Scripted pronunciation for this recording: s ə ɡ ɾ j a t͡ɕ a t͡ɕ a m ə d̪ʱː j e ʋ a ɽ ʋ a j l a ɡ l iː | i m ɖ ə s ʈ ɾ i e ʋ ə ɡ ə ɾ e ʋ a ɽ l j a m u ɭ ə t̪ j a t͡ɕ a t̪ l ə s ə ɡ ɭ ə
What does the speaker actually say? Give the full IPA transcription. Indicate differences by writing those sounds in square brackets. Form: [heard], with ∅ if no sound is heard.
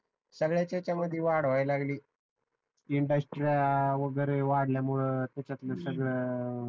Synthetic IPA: s ə ɡ [ɭ] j a t͡ɕ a t͡ɕ a m ə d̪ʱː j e ʋ a ɽ ʋ a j l a ɡ l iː | i [ɳ] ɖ ə s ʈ ɾ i [a] ʋ ə ɡ ə ɾ e ʋ a ɽ l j a m u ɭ ə t̪ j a t͡ɕ a t̪ l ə s ə ɡ ɭ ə